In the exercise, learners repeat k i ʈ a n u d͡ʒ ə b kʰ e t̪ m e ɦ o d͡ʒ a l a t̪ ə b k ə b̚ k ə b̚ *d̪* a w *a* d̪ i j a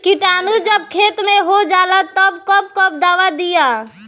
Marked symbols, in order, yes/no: yes, yes

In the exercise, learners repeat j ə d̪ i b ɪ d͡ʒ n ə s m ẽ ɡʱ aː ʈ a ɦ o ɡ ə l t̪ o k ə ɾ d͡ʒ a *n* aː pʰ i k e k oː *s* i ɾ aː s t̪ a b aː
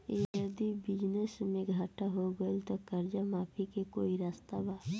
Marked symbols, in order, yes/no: no, no

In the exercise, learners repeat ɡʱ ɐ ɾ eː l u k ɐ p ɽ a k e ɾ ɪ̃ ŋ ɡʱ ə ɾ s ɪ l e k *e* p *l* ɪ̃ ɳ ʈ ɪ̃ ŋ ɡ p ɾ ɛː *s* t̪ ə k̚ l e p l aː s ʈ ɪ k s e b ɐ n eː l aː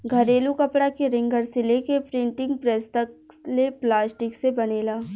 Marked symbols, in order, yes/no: yes, no, yes

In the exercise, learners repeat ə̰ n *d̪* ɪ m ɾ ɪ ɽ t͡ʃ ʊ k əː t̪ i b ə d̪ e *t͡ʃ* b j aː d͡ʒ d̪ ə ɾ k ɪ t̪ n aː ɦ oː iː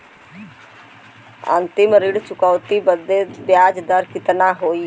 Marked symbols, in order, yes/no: no, no

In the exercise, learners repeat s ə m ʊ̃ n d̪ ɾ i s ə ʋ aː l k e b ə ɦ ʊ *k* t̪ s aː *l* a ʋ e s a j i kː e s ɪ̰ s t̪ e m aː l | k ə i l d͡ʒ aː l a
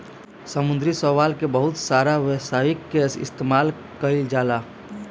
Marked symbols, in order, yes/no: no, no

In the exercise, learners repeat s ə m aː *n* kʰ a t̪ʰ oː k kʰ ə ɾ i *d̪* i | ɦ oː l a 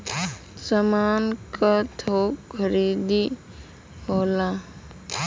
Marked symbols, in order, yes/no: yes, yes

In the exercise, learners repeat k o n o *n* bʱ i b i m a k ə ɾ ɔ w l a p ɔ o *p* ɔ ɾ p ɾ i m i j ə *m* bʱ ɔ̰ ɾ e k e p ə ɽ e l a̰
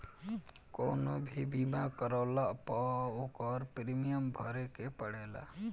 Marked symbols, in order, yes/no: no, no, yes

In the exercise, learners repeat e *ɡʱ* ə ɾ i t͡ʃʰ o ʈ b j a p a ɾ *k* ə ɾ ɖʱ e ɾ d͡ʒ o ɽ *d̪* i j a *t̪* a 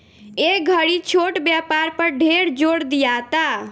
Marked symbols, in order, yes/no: yes, no, yes, yes

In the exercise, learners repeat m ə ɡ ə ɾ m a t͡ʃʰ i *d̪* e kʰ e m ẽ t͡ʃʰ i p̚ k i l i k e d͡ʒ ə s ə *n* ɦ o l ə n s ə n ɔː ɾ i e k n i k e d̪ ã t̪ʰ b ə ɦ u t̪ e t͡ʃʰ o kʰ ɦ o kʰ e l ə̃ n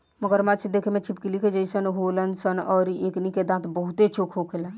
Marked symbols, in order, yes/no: yes, yes

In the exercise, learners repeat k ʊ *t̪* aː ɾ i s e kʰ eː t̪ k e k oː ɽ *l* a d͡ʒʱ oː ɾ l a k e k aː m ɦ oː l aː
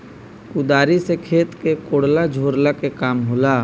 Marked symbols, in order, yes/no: no, yes

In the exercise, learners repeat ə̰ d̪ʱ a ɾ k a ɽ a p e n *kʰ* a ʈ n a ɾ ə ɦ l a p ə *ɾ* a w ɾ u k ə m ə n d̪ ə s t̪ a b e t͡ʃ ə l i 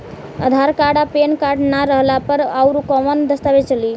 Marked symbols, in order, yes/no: no, yes

